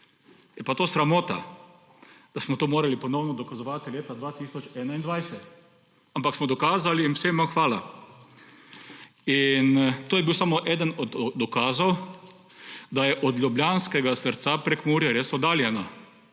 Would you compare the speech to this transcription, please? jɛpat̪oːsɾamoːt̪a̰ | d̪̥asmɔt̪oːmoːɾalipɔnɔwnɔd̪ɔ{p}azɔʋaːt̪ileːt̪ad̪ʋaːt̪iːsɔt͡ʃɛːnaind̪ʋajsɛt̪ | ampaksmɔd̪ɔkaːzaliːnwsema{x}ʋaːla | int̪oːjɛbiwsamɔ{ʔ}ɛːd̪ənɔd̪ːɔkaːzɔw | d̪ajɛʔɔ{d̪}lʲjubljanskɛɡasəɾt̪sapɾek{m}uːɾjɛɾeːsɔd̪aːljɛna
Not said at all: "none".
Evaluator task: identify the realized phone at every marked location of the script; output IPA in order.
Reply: k, x, ʔ, d̪, m

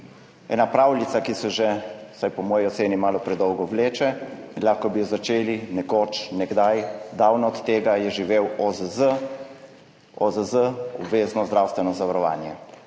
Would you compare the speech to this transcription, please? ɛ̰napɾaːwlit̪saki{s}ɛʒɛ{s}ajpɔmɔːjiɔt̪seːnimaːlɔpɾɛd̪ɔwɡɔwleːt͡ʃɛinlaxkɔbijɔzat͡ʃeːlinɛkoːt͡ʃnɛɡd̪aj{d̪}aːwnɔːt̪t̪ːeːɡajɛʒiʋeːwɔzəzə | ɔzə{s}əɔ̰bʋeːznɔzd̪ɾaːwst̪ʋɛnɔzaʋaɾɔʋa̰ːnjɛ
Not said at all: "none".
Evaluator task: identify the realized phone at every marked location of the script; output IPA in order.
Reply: s, s, d̪, z

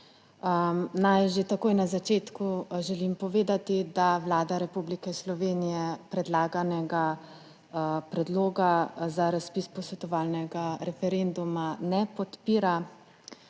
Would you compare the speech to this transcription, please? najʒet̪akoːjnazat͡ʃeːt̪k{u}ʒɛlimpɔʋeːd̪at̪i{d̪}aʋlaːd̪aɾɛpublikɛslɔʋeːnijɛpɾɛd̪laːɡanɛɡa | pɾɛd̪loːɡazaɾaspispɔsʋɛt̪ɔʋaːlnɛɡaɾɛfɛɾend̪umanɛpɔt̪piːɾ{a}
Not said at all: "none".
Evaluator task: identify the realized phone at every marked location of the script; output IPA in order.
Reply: u, d̪, a

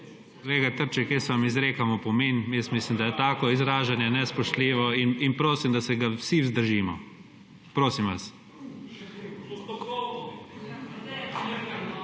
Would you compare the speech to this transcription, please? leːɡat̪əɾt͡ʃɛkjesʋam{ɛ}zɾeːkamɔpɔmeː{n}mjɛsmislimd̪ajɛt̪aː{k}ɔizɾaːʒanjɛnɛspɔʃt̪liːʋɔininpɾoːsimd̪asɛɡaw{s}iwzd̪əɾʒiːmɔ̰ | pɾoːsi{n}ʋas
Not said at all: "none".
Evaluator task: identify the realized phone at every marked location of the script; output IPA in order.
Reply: i, n, k, s, m

